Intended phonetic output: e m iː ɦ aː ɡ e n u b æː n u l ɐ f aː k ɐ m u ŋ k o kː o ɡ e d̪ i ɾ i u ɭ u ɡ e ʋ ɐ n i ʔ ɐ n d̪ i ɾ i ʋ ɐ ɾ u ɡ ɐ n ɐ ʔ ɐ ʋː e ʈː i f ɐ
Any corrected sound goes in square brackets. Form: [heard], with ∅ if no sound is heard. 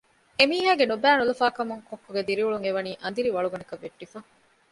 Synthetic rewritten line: e m iː ɦ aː ɡ e n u b æː n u l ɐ f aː k ɐ m u ŋ k o kː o ɡ e d̪ i ɾ i u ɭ u [ŋ] e ʋ ɐ n [iː] ʔ ɐ n d̪ i ɾ i ʋ ɐ [ɭ] u ɡ ɐ n ɐ [k] ɐ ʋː e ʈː i f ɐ